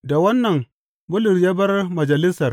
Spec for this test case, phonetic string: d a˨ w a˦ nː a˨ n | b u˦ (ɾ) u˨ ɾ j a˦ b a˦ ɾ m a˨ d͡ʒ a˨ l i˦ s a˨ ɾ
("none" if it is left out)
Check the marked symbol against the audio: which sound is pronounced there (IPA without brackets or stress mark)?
l